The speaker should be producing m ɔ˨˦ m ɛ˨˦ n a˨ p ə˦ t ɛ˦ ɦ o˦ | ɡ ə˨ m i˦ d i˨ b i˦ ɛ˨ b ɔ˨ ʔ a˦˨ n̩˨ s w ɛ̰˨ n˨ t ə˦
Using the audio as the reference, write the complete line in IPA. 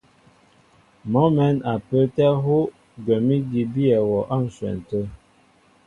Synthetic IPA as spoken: m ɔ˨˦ m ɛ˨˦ n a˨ p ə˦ t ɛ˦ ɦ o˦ | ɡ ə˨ m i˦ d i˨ b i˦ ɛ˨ w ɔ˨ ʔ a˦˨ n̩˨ s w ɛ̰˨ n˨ t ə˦

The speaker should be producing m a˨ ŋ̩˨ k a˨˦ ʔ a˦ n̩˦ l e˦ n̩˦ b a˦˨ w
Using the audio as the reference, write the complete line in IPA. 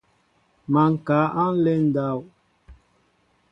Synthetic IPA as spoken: m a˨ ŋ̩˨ k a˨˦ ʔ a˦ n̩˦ l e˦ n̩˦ d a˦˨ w

